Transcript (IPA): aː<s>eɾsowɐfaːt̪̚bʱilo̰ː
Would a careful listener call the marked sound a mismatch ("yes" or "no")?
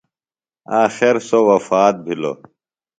yes